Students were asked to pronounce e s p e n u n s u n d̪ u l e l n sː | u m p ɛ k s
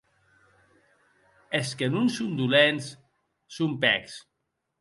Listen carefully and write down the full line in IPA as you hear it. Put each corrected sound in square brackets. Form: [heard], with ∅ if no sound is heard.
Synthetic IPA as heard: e s [k] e n u n s u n d̪ u l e [∅] n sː | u m p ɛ k s